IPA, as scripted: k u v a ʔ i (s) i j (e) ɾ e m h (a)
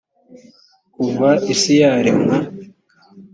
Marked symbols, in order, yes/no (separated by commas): yes, no, yes